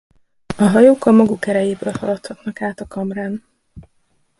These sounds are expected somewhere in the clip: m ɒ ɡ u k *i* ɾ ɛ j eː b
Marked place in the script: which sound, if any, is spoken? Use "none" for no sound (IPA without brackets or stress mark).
ɛ